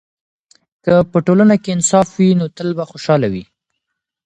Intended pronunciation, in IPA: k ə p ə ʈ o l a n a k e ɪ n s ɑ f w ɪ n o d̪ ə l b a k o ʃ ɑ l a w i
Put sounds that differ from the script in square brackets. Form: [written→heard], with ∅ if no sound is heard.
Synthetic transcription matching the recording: k ə p ə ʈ o l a n a k e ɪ n s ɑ f w [ɪ→i] n o [d̪→t̪] ə l b a [k→x] o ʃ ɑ l a w i